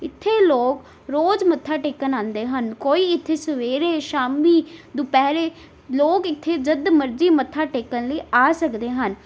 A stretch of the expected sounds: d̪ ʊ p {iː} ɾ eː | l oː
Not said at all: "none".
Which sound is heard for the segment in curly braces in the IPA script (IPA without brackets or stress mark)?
ɛː